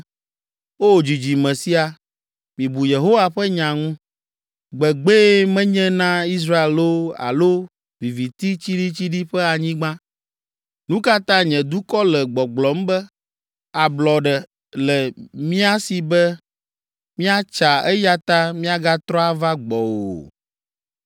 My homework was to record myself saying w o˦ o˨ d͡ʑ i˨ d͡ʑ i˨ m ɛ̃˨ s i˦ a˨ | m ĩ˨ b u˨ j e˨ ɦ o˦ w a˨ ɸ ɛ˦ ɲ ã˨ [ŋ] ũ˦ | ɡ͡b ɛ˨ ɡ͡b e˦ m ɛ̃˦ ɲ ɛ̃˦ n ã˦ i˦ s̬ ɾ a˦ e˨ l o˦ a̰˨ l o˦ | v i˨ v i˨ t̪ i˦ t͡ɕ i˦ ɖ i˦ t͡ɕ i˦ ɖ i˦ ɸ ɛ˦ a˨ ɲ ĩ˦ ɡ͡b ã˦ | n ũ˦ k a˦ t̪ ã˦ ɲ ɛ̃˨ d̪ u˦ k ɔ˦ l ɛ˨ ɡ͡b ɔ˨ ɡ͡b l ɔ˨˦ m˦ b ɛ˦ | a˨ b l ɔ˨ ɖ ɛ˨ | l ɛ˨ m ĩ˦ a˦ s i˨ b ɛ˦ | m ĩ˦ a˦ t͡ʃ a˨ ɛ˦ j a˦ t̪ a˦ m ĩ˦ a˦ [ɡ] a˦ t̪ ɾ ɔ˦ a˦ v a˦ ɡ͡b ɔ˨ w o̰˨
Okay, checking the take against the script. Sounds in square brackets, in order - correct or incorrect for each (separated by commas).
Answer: correct, correct